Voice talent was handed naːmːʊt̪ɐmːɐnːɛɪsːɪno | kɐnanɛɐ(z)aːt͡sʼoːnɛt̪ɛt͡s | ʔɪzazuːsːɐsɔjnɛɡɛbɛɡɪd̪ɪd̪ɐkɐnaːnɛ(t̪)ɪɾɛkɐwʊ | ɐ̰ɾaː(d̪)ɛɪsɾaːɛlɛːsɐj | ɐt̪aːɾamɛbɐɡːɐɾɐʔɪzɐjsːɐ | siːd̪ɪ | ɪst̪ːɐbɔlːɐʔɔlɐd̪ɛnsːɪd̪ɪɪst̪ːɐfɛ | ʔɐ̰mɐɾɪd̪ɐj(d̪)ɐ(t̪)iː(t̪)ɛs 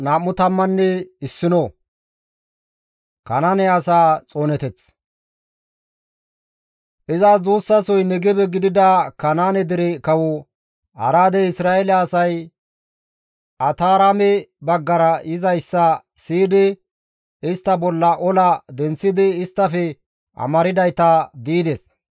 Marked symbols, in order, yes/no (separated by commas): no, no, yes, no, no, no